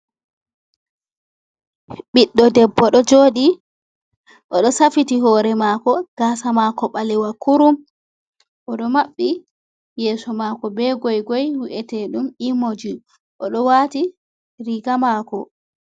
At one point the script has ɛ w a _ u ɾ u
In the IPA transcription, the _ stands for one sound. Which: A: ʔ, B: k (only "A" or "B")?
B